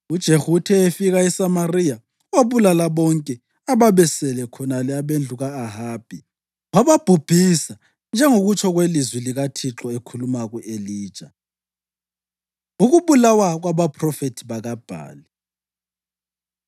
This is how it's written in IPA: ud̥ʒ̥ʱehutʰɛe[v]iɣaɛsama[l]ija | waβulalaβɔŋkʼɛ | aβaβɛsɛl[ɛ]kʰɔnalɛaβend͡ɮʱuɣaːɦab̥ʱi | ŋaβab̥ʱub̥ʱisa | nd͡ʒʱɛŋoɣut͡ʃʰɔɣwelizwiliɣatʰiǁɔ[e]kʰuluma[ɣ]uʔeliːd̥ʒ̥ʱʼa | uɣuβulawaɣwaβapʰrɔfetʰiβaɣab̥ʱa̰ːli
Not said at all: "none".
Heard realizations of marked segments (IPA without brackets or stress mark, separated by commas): f, r, ɛ, e, ɣ